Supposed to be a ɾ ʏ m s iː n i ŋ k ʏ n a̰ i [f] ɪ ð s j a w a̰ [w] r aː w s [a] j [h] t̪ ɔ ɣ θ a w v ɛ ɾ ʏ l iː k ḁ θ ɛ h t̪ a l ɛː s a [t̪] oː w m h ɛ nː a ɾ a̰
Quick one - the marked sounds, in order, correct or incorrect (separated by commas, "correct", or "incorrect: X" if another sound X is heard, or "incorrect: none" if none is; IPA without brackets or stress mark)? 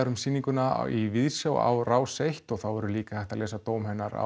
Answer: incorrect: v, correct, incorrect: e, correct, correct